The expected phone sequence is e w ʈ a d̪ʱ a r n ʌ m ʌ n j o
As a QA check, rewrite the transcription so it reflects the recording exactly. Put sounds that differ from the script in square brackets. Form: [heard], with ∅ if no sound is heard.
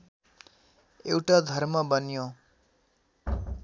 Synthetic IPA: e w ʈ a d̪ʱ [ʌ] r [m] ʌ [b] ʌ n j o